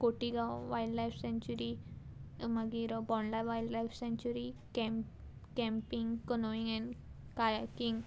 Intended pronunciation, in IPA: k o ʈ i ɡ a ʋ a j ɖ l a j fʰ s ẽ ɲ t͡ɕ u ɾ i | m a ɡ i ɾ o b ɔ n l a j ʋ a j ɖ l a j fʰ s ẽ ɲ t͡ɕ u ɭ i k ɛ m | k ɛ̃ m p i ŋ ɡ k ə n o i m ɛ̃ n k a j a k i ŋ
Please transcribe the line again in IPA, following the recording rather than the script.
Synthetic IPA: k o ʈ i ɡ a ʋ a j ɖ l a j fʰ s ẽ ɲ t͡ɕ u ɾ i | m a ɡ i ɾ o b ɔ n l a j ʋ a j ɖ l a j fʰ s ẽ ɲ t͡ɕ u ɾ i k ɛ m | k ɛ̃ m p i ŋ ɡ k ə n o i ŋ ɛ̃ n k a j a k i ŋ

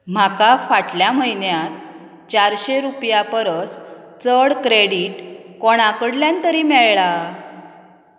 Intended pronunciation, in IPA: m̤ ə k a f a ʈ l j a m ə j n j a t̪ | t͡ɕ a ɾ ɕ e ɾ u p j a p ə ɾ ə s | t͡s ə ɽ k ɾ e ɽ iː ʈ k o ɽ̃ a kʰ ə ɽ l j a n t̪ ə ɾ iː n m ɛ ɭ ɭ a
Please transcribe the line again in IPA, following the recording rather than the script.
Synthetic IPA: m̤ a k a f a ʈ l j a m ə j n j a t̪ | t͡ɕ a ɾ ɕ e ɾ u p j a p ə ɾ ə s | t͡s ə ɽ k ɾ e ɽ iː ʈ k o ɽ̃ a k ə ɽ l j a n t̪ ə ɾ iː m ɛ ɭ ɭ a

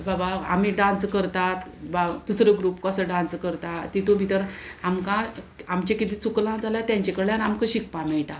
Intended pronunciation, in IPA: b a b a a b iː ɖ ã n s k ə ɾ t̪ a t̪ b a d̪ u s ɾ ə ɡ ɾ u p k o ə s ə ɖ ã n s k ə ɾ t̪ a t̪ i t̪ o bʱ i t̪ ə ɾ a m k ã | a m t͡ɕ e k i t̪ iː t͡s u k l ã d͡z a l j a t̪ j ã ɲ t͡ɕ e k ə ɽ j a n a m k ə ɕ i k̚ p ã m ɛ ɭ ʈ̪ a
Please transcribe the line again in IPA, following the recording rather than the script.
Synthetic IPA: b a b a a m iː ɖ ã n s k ə ɾ t̪ a t̪ b a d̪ u s ɾ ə ɡ ɾ u p k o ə s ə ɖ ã n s k ə ɾ t̪ a t̪ i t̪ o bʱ i t̪ ə ɾ a m k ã | a m t͡ɕ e k i t̪ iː t͡s u k l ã d͡z a l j a t̪ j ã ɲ t͡ɕ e k ə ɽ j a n a m k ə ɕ i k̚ p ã m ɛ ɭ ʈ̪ a

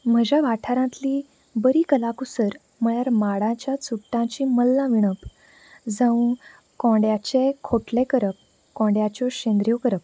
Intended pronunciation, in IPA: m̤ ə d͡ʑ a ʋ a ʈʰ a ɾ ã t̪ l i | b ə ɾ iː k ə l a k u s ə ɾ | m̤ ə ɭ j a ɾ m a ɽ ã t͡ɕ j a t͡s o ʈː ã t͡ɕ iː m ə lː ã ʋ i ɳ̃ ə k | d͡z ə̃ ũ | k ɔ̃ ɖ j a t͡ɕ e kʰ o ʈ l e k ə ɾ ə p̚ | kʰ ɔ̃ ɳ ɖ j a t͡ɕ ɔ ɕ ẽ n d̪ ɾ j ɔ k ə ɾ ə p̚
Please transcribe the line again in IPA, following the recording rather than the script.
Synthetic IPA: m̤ ə d͡ʑ a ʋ a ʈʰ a ɾ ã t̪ l i | b ə ɾ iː k ə l a k u s ə ɾ | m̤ ə ɭ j a ɾ m a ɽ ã t͡ɕ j a t͡s u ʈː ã t͡ɕ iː m ə lː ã ʋ i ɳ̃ ə p | d͡z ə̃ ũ | k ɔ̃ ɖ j a t͡ɕ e kʰ o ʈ l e k ə ɾ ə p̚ | k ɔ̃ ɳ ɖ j a t͡ɕ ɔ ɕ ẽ n d̪ ɾ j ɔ k ə ɾ ə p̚

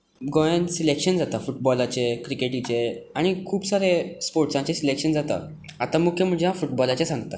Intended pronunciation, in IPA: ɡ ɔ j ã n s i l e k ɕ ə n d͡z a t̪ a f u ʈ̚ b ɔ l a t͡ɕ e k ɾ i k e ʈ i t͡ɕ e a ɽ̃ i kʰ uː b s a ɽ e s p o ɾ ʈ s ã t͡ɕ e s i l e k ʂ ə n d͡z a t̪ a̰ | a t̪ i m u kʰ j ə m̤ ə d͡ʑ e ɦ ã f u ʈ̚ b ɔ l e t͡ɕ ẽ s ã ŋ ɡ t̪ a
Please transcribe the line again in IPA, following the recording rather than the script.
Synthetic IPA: ɡ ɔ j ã n s i l e k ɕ ə n d͡z a t̪ a f u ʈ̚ b ɔ l a t͡ɕ e k ɾ i k e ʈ i t͡ɕ e a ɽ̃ i kʰ uː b s a ɾ e s p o ɾ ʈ s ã t͡ɕ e s i l e k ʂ ə n d͡z a t̪ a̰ | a t̪ a m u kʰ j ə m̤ ə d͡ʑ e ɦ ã f u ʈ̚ b ɔ l a t͡ɕ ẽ s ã ŋ ɡ t̪ a

